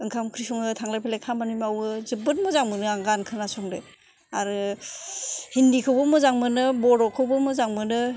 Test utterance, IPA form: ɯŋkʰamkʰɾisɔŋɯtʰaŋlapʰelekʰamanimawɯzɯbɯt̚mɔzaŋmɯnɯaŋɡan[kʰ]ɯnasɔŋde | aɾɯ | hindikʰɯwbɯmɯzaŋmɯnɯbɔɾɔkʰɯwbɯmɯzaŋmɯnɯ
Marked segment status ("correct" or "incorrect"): correct